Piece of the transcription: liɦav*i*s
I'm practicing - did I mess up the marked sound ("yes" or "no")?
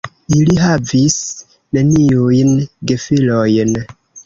no